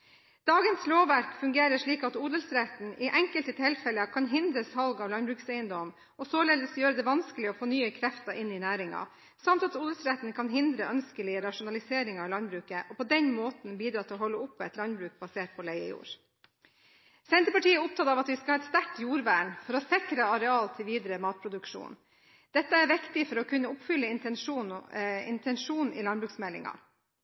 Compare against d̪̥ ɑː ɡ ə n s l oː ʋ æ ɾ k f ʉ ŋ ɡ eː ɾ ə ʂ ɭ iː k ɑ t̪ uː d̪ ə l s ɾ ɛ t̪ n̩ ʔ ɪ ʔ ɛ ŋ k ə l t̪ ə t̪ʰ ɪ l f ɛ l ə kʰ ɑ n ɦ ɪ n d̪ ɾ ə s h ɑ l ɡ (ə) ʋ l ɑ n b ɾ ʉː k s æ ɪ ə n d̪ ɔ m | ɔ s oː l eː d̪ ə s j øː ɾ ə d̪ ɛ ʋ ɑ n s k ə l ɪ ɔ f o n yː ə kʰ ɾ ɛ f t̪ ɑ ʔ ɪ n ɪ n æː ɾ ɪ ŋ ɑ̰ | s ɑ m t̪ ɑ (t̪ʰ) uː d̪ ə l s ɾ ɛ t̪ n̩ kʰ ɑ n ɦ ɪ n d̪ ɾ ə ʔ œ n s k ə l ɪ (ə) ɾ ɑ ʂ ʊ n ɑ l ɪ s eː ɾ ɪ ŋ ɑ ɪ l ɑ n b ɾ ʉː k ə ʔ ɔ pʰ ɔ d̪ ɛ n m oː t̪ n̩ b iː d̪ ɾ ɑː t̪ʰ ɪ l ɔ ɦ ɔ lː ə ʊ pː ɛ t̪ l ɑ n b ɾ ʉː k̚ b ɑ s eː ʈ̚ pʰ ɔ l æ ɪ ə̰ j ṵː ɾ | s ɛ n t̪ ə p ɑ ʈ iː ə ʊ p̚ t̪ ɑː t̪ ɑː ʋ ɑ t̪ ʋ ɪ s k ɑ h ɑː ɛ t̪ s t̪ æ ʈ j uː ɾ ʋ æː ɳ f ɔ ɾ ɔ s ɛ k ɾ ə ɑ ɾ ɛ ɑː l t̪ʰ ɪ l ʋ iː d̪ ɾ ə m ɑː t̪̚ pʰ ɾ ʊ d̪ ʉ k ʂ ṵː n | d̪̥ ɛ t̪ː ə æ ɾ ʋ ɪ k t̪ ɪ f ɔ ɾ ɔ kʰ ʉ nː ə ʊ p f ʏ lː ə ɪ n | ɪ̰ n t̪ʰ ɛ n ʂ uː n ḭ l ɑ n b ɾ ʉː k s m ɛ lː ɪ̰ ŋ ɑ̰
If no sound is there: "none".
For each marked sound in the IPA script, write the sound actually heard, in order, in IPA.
ɑ, t̪, ə

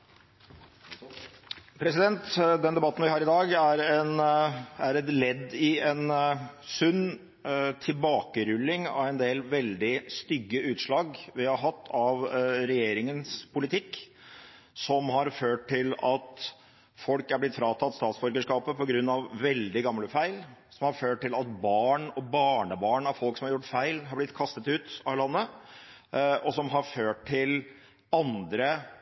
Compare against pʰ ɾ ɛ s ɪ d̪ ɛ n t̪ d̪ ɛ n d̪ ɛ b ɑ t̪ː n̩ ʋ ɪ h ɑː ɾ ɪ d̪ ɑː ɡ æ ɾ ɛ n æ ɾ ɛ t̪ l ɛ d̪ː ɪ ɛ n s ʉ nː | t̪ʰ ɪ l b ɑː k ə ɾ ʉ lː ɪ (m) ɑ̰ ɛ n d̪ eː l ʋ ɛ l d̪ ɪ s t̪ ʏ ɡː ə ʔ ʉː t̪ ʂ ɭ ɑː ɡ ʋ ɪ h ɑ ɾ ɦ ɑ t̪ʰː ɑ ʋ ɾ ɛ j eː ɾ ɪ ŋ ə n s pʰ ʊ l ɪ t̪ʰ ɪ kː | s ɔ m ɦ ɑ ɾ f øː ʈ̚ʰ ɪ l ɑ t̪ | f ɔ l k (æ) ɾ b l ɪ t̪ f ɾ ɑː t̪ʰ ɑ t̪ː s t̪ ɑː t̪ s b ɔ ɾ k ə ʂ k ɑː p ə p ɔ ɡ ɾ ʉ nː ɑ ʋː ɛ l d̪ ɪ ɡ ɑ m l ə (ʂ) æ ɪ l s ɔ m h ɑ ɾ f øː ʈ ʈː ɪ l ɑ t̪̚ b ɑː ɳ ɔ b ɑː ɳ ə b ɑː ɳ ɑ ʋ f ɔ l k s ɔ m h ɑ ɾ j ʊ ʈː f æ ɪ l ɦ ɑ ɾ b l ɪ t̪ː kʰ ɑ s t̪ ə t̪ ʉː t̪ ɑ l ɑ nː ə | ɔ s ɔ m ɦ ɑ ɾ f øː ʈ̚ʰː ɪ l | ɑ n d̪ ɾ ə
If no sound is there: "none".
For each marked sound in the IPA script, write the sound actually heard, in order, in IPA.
ŋ, æ, f

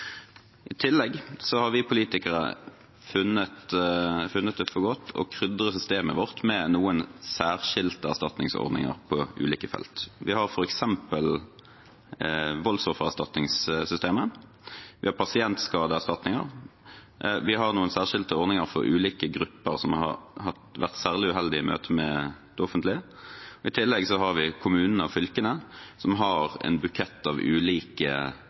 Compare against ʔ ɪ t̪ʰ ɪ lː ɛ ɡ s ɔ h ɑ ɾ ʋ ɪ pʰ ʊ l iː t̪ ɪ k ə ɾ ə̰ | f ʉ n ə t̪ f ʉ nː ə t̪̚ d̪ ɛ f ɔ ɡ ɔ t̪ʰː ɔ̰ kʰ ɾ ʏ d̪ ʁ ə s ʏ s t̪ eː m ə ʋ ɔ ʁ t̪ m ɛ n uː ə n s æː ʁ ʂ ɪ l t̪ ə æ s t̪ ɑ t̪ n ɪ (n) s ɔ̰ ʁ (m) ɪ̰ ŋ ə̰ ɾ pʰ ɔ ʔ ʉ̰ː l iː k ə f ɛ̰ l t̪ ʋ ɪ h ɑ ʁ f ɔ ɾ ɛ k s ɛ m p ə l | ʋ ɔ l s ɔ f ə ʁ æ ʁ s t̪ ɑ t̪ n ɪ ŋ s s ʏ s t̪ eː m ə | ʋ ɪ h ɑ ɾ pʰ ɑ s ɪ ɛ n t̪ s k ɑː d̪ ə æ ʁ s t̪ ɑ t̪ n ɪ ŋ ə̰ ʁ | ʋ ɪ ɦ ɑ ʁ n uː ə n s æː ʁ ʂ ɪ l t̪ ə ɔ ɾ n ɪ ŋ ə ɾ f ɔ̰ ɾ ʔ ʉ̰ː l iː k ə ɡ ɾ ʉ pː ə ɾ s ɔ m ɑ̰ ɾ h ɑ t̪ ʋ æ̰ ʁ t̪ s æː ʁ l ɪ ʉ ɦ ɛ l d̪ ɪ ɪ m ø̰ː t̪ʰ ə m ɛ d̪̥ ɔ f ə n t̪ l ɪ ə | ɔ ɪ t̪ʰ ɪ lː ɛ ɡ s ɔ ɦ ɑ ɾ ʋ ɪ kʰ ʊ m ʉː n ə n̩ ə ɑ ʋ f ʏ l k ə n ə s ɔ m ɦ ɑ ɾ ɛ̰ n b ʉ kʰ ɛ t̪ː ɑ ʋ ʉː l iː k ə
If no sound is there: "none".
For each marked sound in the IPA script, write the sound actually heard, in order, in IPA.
ŋ, n

